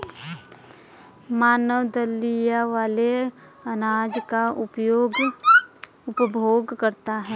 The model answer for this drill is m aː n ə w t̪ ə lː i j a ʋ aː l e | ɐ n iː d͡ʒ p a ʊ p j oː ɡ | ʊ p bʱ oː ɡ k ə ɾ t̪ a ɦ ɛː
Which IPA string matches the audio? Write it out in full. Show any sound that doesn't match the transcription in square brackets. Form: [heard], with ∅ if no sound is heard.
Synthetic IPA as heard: m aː n ə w [d̪] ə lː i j a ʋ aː l e | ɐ n [aː] d͡ʒ [k] a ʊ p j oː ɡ | ʊ p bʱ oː ɡ k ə ɾ t̪ a ɦ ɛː